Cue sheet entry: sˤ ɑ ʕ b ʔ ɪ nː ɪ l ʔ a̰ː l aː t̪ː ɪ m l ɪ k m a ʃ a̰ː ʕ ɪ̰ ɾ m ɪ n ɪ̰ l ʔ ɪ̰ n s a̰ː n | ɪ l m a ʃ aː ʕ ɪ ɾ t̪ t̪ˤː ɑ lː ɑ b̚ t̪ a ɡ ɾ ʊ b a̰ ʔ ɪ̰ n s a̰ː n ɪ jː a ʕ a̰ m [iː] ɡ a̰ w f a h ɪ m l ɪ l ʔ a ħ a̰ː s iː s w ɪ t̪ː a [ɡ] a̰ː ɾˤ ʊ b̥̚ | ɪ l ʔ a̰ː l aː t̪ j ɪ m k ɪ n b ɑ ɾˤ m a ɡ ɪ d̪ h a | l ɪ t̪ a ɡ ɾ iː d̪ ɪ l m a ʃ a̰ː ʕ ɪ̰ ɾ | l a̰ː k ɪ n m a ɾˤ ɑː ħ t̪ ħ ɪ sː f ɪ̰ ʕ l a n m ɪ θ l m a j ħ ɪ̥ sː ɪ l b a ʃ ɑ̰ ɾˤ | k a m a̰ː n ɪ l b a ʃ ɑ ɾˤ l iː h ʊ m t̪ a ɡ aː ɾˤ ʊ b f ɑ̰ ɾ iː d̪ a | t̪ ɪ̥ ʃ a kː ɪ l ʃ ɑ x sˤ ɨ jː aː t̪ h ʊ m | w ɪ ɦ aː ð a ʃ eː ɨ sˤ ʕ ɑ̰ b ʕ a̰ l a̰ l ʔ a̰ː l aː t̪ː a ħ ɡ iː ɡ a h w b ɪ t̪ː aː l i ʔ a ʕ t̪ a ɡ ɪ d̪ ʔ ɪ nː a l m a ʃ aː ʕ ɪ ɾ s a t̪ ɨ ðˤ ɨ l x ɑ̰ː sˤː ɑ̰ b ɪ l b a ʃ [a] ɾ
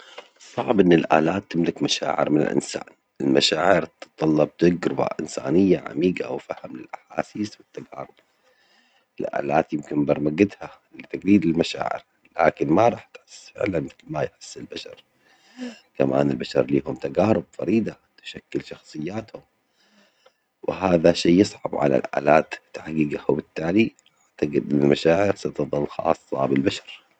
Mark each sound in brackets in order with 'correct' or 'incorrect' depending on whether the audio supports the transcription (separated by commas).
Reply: correct, correct, incorrect